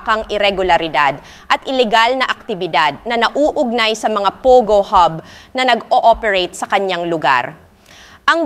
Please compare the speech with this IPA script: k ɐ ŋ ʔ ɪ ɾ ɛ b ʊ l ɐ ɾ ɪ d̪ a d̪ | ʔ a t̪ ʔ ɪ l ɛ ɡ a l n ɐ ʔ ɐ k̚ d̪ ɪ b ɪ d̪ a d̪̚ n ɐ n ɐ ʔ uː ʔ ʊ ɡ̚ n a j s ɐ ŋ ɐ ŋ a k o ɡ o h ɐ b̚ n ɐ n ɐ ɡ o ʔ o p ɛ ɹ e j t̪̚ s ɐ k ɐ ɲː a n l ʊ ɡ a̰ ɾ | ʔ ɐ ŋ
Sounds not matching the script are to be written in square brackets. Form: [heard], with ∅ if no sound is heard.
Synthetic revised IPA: k ɐ ŋ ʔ ɪ ɾ ɛ [ɡ] ʊ l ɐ ɾ ɪ d̪ a d̪ | ʔ [ɐ] t̪ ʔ ɪ l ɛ ɡ a l n ɐ ʔ ɐ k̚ [t̪] ɪ b ɪ d̪ a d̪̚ n ɐ n ɐ ʔ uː ʔ ʊ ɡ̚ n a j s ɐ [m] ɐ ŋ a [p] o ɡ o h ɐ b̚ n ɐ n ɐ ɡ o ʔ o p ɛ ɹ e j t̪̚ s ɐ k ɐ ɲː a [ŋ] l ʊ ɡ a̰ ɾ | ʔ ɐ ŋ